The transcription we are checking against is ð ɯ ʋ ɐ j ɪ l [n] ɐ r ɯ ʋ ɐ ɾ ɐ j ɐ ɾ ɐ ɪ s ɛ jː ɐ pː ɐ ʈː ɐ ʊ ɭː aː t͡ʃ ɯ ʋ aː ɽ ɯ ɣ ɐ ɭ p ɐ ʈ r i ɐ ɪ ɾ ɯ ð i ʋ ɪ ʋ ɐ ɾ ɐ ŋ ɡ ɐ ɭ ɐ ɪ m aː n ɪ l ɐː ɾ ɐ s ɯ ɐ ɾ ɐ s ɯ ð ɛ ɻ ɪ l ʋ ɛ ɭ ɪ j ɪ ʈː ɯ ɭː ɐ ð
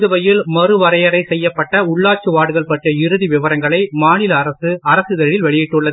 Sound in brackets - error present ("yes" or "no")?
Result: yes